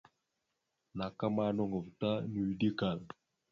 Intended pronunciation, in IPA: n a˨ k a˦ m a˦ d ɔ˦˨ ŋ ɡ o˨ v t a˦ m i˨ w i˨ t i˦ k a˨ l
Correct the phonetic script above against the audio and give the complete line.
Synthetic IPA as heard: n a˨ k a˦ m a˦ n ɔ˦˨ ŋ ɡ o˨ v t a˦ n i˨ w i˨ d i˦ k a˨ l